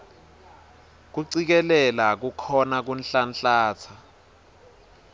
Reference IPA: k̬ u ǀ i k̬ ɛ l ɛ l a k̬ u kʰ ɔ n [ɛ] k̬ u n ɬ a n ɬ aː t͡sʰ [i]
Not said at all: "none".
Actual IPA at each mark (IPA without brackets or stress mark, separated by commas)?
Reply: a, a